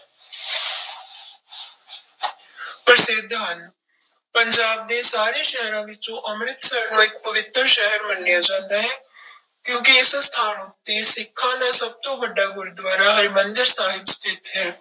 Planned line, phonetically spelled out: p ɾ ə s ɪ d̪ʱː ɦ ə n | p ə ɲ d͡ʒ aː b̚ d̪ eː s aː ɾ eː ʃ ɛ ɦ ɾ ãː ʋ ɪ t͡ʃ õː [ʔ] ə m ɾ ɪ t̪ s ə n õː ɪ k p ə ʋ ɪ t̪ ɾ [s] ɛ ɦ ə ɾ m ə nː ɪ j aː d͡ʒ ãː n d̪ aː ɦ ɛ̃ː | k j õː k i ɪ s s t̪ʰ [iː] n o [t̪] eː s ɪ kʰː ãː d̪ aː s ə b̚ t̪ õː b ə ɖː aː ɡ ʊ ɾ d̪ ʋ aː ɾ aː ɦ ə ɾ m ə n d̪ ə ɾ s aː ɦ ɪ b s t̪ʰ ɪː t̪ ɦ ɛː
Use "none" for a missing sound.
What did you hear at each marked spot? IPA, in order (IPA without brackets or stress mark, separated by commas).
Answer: ʔ, ʃ, aː, t̪